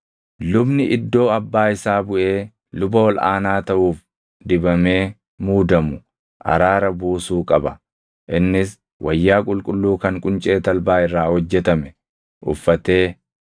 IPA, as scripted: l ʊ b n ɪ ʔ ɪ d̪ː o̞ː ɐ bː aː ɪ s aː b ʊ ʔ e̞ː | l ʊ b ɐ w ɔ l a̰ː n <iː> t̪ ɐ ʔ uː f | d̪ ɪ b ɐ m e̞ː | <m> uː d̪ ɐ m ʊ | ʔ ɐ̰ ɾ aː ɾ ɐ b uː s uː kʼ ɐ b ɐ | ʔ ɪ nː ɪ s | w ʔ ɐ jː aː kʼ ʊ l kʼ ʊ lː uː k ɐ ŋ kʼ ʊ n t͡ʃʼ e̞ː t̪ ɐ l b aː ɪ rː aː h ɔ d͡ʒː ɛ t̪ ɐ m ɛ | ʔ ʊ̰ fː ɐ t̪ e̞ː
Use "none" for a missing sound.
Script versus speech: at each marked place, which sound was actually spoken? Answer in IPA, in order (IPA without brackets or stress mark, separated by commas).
aː, m